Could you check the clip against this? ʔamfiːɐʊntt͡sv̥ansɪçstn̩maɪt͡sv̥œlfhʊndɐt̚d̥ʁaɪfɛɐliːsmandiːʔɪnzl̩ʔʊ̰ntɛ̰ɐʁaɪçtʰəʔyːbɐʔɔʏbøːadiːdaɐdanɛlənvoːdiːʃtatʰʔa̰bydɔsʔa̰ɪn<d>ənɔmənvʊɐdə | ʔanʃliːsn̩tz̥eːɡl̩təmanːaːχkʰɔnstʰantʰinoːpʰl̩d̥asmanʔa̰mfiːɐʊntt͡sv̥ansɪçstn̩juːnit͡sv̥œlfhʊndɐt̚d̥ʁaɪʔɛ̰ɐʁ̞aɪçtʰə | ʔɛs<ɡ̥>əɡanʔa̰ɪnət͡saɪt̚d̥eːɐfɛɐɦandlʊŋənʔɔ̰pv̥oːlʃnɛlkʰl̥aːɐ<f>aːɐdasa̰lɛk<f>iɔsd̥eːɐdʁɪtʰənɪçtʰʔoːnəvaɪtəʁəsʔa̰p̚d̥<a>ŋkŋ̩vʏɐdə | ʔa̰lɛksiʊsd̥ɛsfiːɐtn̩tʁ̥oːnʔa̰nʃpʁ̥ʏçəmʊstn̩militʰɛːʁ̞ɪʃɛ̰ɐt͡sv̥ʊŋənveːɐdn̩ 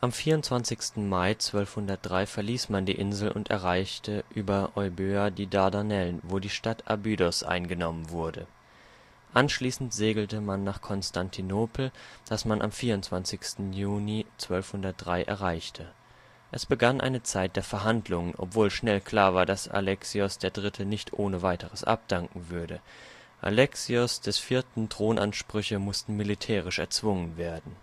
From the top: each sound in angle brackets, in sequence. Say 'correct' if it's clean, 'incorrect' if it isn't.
incorrect, incorrect, incorrect, incorrect, correct

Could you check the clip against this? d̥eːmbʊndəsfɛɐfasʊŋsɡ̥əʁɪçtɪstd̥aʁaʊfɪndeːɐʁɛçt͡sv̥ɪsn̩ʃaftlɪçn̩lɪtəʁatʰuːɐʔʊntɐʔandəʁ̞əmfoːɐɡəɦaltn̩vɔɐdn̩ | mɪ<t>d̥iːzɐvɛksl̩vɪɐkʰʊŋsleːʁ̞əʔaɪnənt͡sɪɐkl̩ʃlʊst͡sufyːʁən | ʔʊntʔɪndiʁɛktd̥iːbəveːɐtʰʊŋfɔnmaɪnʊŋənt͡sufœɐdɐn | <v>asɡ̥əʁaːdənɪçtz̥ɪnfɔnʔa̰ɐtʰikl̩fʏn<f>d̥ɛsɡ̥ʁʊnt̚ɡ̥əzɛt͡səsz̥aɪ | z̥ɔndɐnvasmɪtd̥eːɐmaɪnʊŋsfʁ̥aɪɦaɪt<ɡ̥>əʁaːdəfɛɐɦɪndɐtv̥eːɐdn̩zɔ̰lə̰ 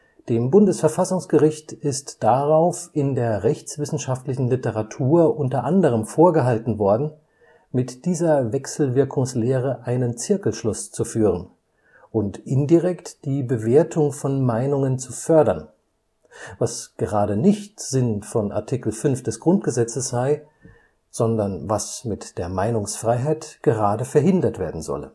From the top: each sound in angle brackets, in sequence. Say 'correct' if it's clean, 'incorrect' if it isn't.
correct, correct, correct, correct

